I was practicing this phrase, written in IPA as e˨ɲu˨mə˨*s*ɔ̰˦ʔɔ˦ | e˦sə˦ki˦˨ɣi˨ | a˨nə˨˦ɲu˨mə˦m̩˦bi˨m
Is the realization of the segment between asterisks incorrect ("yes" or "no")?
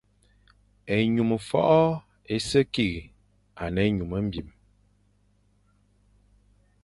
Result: yes